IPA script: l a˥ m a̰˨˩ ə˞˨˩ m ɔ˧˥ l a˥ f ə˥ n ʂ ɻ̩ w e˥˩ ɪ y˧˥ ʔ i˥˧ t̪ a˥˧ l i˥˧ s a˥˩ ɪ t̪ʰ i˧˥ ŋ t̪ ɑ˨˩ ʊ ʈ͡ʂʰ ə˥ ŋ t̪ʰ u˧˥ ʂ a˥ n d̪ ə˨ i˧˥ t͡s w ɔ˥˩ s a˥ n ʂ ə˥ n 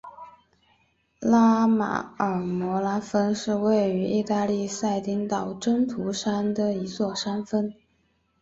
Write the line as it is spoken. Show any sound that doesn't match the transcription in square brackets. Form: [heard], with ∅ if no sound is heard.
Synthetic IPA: l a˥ m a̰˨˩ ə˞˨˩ m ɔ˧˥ l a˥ f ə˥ n ʂ ɻ̩ w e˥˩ ɪ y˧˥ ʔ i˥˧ t̪ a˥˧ l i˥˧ s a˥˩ ɪ [t̪] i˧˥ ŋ t̪ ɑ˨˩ ʊ [ʈ͡ʂ] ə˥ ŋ t̪ʰ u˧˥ ʂ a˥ n d̪ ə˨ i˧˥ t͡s w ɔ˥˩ [ʂ] a˥ n [f] ə˥ n